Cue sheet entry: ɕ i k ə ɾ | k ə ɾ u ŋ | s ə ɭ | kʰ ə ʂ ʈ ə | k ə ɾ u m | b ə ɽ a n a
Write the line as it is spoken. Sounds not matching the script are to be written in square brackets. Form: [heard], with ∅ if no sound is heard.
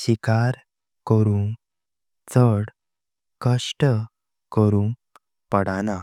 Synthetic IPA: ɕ i k [a] ɾ | k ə ɾ u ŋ | [t͡s] ə [ɽ] | [k] ə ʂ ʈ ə | k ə ɾ u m | [p] ə ɽ a n a